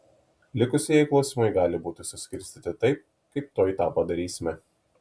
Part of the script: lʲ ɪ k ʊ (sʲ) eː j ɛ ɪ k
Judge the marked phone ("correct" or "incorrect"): correct